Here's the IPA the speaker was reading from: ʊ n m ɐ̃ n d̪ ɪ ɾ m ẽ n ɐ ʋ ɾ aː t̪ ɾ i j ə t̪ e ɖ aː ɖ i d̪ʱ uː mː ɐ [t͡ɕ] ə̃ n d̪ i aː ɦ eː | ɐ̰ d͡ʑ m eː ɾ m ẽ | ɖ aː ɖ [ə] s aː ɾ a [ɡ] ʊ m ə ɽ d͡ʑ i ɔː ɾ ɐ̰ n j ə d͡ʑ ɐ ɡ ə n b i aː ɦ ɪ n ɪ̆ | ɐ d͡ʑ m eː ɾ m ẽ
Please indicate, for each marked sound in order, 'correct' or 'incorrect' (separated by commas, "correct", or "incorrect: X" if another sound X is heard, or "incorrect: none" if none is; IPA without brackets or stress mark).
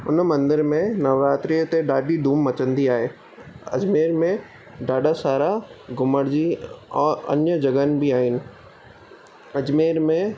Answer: correct, incorrect: a, correct